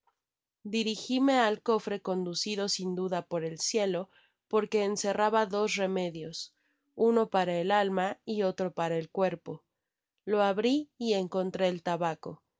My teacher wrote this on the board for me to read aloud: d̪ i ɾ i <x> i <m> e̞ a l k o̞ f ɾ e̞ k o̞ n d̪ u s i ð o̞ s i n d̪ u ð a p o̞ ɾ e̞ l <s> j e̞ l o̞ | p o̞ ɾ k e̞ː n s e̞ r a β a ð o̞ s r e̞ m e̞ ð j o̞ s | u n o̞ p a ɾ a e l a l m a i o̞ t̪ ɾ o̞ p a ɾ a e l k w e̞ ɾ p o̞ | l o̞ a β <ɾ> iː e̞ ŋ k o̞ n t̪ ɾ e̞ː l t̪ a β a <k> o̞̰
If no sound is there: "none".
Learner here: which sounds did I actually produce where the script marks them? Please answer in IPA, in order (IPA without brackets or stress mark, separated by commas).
x, m, s, ɾ, k